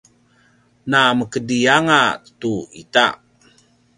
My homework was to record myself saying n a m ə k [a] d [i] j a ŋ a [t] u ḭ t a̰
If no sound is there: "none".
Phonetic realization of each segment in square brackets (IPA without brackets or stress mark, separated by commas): ə, i, t